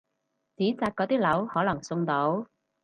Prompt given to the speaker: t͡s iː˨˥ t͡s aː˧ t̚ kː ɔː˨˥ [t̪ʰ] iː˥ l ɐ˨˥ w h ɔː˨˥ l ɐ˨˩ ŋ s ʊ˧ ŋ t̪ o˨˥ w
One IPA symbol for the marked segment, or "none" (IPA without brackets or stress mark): t̪